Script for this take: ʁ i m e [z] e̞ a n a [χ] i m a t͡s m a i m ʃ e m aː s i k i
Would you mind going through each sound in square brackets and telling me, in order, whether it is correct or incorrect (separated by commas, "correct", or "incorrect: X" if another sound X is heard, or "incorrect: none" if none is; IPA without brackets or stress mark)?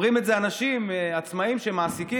correct, incorrect: ʃ